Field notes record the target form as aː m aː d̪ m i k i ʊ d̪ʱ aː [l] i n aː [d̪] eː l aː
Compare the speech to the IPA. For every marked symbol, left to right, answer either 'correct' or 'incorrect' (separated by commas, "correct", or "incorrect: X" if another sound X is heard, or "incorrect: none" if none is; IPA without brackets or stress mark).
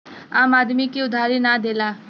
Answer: incorrect: ɾ, correct